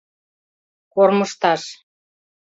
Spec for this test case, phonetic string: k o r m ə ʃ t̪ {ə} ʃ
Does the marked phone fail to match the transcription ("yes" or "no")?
yes